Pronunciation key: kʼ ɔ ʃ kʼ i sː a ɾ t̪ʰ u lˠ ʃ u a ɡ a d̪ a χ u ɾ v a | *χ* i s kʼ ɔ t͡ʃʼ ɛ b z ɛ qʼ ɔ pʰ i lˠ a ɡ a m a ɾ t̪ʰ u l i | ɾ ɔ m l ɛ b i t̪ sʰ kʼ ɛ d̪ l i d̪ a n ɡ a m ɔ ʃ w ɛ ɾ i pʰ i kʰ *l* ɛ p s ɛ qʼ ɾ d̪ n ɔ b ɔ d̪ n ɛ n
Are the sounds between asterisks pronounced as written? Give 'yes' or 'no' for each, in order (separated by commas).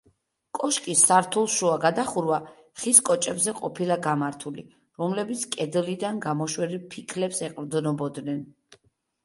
yes, yes